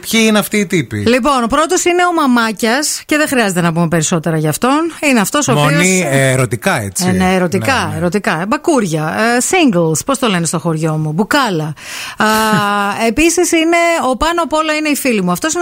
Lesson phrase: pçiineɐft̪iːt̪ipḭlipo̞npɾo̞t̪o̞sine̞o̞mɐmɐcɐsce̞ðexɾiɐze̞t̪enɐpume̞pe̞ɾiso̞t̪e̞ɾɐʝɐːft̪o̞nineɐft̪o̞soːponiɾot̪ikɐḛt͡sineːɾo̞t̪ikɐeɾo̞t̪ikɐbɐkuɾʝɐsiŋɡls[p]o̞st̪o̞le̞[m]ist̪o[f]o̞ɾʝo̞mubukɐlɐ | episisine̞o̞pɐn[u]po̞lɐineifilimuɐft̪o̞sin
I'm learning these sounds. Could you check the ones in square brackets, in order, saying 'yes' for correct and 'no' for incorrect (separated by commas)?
yes, no, no, no